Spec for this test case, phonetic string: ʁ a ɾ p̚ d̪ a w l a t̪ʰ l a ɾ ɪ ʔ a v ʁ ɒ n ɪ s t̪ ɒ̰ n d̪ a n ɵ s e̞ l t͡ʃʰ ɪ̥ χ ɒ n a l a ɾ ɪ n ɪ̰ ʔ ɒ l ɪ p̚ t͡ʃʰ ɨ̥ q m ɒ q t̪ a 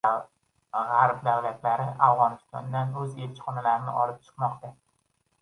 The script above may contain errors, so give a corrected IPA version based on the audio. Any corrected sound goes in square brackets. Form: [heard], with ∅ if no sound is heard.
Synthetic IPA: ʁ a ɾ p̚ d̪ a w l a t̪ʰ l a ɾ ɪ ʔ a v ʁ ɒ n ɪ s t̪ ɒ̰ n d̪ a n ɵ [z] e̞ l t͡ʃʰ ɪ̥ χ ɒ n a l a ɾ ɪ n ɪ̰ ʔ ɒ l ɪ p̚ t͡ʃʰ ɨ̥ q m ɒ q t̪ a